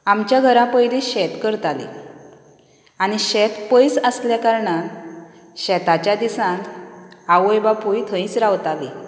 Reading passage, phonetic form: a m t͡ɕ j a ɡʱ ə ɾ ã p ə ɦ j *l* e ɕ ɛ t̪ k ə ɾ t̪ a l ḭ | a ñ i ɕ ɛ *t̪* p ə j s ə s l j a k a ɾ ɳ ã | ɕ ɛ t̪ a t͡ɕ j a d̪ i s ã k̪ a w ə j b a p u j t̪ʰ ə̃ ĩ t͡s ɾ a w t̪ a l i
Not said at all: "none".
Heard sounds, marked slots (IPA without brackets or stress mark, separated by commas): l, t̪